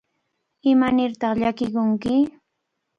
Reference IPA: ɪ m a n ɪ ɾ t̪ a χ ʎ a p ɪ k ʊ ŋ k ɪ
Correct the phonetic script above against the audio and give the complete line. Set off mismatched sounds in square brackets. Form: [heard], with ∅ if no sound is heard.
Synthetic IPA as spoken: ɪ m a n ɪ ɾ t̪ [ɑ] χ ʎ a [k] ɪ k ʊ ŋ k ɪ